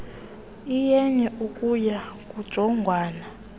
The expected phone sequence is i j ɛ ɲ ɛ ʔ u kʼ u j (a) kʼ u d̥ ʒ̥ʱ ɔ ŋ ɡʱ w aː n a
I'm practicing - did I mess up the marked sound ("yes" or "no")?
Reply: no